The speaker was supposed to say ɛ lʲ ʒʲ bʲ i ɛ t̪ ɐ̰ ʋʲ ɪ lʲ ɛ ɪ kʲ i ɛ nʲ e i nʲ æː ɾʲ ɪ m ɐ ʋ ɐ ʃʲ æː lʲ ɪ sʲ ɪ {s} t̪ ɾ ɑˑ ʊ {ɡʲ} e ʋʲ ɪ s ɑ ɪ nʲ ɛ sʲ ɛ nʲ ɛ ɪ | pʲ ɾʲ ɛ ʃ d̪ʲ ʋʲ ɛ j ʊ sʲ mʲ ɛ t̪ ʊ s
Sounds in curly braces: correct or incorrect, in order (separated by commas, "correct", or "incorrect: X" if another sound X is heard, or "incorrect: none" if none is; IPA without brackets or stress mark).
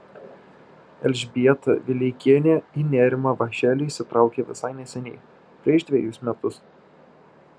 incorrect: none, incorrect: kʲ